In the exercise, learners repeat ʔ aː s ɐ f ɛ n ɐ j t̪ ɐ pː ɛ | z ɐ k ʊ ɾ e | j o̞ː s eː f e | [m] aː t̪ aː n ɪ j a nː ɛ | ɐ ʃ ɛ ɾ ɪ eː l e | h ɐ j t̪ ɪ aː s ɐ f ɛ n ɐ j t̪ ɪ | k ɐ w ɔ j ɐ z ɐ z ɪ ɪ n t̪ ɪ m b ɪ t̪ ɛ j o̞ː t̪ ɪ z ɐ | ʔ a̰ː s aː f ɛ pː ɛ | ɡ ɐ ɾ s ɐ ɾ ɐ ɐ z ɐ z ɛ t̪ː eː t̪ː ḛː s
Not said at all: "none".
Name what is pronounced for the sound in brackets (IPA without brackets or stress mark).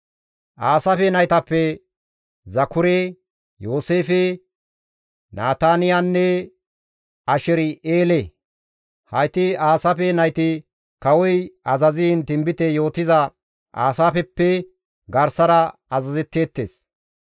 n